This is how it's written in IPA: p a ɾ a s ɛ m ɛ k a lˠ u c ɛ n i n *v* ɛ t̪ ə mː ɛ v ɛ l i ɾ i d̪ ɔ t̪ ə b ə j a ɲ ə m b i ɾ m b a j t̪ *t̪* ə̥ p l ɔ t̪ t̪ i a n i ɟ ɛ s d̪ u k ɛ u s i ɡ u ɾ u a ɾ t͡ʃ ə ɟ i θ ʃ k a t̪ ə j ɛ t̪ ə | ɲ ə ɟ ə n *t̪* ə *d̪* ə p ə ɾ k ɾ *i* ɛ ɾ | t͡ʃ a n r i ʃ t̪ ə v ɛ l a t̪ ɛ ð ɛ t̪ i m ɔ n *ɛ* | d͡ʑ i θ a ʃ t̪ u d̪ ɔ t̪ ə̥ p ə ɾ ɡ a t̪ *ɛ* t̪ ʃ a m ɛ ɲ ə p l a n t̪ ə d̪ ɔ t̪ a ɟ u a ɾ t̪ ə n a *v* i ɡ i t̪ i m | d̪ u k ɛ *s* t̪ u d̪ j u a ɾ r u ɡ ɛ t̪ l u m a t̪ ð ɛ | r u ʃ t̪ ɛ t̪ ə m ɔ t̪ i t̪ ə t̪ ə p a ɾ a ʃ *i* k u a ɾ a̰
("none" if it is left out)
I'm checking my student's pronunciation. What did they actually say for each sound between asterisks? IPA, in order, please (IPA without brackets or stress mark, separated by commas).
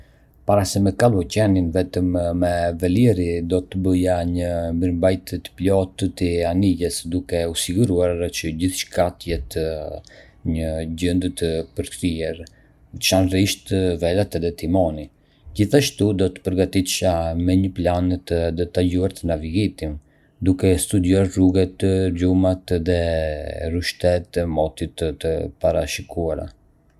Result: v, t̪, d̪, t̪, i, i, i, v, s, i